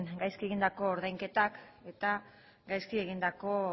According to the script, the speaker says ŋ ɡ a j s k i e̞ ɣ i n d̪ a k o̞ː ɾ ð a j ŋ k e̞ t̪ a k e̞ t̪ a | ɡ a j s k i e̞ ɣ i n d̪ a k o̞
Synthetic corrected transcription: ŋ ɡ a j s k i e̞ ɣ i n d̪ a k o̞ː ɾ ð a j ŋ k e̞ t̪ a k e̞ t̪ a | ɡ a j s k i e̞ ɣ i n d̪ a k o̞